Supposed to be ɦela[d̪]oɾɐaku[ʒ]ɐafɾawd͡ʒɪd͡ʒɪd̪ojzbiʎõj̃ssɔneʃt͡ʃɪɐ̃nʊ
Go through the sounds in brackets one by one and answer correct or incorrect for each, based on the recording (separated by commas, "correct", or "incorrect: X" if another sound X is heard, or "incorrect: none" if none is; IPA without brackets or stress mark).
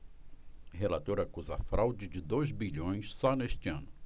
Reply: incorrect: t̪, incorrect: z